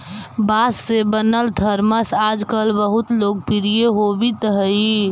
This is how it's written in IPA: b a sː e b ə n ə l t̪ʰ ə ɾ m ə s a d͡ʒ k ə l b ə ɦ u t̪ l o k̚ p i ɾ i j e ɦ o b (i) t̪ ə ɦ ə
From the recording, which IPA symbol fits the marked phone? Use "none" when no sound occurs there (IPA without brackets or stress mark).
i